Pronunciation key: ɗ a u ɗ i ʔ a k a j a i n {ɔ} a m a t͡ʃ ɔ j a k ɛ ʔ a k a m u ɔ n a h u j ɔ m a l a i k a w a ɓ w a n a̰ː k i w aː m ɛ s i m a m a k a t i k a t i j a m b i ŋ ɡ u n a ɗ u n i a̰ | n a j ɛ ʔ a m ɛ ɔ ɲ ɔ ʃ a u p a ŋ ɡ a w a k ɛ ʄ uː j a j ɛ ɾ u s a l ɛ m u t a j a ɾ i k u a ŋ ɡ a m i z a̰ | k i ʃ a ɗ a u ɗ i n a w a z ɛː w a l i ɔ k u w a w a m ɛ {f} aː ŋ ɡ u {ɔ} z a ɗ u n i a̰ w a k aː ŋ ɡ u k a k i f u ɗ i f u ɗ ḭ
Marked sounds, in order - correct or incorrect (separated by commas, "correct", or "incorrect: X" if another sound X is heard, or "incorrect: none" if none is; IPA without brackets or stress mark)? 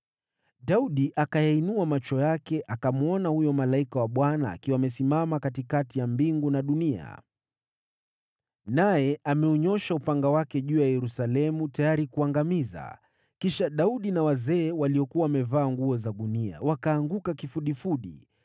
incorrect: u, incorrect: v, correct